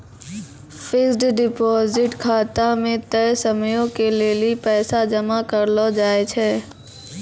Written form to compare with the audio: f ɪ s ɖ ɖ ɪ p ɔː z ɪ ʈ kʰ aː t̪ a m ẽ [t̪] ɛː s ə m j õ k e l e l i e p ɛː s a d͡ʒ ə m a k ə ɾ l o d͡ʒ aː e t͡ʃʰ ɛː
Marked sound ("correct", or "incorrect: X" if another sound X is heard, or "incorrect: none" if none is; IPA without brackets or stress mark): correct